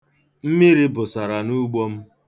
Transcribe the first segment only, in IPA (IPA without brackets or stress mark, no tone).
m̩